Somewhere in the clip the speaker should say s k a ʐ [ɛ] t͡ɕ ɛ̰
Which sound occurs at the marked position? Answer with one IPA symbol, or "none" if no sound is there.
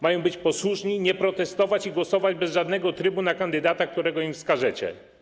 ɛ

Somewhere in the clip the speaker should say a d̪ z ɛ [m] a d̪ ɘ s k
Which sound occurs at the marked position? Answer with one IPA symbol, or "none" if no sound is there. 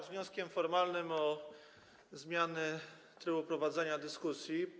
ɲ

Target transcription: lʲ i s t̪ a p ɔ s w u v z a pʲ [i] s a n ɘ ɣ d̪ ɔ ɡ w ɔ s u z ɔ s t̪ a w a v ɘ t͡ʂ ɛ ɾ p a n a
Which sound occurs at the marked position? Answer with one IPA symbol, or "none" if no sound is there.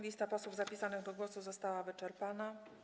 i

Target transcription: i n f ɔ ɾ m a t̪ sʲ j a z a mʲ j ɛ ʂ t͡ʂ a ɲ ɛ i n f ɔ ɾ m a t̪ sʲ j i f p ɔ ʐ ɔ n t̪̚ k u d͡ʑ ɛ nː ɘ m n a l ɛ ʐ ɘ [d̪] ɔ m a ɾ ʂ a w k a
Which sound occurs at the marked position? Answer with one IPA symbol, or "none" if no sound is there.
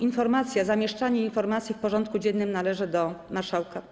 d̪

